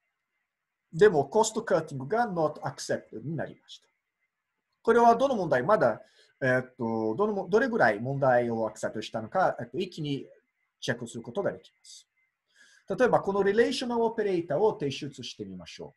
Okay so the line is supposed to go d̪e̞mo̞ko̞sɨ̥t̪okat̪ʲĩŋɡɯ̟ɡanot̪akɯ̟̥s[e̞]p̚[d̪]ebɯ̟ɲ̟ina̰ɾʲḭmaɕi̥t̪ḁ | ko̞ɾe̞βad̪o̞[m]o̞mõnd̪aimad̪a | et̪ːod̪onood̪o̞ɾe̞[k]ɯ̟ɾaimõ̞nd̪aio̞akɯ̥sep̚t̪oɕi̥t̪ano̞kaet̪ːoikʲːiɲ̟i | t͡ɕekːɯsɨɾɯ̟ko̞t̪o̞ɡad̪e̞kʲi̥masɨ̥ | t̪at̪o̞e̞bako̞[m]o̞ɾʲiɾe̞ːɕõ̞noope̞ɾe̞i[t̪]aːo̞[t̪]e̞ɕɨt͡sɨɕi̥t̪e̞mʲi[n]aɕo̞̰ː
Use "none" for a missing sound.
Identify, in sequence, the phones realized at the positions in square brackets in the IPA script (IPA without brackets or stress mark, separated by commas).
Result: e̞, t̪, n, ɡ, n, t̪, t̪, m